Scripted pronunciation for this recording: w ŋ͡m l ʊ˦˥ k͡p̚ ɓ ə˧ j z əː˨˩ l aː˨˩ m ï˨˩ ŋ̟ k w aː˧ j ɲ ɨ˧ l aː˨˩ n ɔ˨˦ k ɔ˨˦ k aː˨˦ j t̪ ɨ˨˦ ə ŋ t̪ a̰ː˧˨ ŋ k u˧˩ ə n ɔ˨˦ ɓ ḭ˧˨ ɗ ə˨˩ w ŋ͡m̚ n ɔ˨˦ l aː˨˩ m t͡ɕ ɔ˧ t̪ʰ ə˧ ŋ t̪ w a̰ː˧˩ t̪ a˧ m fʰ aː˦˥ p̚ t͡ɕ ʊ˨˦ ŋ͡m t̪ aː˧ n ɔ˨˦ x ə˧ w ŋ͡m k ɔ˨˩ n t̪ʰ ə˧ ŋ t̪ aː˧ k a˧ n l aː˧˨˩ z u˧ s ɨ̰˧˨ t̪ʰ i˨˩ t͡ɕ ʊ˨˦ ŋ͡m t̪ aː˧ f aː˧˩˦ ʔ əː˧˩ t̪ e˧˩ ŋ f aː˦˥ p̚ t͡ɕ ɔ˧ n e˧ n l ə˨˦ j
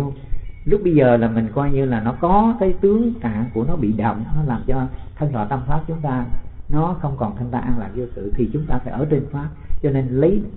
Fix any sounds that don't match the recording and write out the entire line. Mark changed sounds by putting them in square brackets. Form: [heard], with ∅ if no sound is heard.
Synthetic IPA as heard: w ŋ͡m l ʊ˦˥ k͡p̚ ɓ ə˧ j z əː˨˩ l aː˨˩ m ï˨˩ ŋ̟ k w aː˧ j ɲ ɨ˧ l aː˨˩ n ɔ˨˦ k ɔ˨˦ k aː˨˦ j t̪ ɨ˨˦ ə ŋ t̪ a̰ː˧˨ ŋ k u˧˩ ə n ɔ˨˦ ɓ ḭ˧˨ ɗ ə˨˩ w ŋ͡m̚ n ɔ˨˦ l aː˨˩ m t͡ɕ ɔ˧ t̪ʰ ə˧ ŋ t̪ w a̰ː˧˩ t̪ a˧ m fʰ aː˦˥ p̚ t͡ɕ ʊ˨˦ ŋ͡m t̪ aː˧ n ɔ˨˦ x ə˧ w ŋ͡m k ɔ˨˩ n t̪ʰ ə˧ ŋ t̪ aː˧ [ʔ] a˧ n l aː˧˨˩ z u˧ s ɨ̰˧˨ t̪ʰ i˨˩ t͡ɕ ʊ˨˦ ŋ͡m t̪ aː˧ f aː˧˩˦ ʔ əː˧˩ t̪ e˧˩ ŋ f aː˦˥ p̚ t͡ɕ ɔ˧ n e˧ n l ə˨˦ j